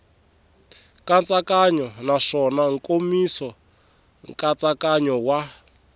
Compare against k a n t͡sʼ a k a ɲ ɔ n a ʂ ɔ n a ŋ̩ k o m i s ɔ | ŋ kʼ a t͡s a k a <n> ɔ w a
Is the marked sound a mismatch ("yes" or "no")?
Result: yes